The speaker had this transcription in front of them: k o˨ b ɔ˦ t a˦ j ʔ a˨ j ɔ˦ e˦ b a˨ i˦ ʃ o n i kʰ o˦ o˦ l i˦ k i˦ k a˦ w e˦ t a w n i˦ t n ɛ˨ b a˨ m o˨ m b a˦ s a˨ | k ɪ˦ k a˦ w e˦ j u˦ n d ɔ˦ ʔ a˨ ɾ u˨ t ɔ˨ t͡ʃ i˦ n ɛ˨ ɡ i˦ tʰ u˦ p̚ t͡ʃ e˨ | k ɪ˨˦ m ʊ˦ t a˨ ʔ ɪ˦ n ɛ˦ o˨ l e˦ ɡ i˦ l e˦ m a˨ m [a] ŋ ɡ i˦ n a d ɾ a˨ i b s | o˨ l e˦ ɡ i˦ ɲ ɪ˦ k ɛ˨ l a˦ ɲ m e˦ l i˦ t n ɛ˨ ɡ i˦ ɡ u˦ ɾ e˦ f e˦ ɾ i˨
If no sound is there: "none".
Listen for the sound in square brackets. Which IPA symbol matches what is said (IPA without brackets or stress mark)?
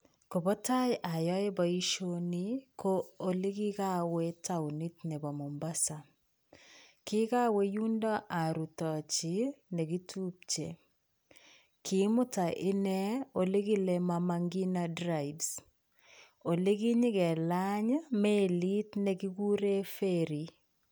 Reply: a